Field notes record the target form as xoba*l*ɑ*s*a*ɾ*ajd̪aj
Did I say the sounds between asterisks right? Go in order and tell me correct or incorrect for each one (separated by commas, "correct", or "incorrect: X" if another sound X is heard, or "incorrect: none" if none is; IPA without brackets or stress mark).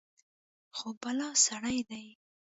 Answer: correct, correct, incorrect: ɽ